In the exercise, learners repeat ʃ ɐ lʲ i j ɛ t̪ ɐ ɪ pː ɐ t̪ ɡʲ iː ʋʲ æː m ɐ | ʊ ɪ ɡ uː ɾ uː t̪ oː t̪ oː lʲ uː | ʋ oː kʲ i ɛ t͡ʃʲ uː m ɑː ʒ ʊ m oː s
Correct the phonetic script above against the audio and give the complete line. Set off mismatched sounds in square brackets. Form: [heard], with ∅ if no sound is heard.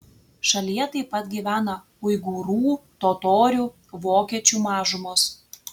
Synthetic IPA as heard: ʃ ɐ lʲ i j ɛ t̪ ɐ ɪ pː ɐ t̪ ɡʲ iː ʋʲ æː [n] ɐ | ʊ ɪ ɡ uː ɾ uː t̪ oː t̪ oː [ɾʲ] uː | ʋ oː kʲ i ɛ t͡ʃʲ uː m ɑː ʒ ʊ m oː s